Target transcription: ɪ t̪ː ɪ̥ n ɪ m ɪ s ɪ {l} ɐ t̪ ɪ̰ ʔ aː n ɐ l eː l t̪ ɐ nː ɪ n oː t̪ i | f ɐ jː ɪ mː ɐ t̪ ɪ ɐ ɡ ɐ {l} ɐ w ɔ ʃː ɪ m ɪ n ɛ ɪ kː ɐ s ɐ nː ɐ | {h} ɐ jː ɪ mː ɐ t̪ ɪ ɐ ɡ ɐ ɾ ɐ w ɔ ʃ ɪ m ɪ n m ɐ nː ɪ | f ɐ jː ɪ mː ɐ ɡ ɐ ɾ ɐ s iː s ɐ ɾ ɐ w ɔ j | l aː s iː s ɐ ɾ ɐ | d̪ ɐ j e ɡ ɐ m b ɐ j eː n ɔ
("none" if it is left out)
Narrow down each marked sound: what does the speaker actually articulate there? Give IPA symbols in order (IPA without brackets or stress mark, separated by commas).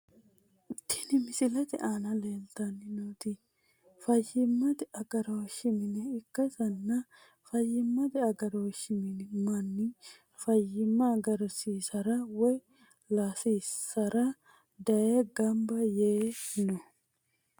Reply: l, ɾ, f